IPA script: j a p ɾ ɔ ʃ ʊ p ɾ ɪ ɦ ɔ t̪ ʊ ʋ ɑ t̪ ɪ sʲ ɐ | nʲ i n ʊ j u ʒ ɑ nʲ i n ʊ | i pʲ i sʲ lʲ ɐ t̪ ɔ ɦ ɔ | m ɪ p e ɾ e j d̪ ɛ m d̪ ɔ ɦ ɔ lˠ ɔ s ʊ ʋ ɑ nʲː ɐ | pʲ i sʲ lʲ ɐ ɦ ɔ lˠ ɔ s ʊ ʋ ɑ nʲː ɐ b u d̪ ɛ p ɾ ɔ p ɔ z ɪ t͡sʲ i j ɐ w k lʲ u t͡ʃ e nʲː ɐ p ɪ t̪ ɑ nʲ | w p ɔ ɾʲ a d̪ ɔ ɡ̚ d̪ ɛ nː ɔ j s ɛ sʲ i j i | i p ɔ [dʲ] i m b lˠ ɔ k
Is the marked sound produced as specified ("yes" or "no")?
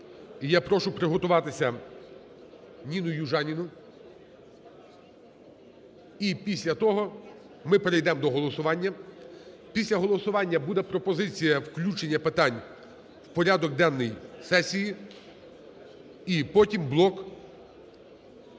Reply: no